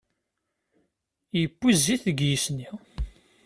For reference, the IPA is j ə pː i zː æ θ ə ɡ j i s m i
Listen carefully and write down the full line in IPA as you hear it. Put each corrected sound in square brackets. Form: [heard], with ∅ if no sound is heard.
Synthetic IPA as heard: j ə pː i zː [i] θ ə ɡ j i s [n] i